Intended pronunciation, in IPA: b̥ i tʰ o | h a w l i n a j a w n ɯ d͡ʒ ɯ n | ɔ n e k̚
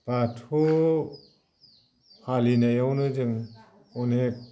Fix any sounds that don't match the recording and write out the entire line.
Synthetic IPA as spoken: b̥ a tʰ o | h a l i n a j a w n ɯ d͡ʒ ɯ ŋ | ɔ n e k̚